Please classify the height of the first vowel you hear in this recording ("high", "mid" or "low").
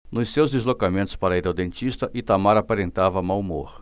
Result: high